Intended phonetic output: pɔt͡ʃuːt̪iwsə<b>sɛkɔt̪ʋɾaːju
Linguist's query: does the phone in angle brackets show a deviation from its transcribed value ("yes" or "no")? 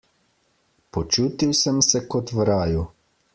yes